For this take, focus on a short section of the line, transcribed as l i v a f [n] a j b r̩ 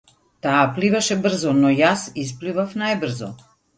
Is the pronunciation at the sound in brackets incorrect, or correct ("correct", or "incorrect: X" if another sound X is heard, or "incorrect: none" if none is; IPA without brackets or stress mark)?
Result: correct